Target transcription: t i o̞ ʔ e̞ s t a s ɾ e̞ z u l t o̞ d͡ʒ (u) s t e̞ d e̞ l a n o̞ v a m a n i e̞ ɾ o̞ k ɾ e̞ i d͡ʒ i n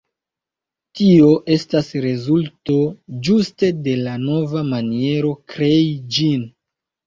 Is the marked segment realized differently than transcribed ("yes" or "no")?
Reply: no